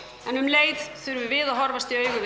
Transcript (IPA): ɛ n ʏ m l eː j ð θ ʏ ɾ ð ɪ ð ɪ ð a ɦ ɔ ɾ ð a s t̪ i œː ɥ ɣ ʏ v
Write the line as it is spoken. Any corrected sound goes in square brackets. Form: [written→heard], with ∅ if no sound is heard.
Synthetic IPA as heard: ɛ n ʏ m l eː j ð θ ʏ ɾ [ð→v] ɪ [ð→v] ɪ ð a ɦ ɔ ɾ [ð→v] a s t̪ i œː ɥ ɣ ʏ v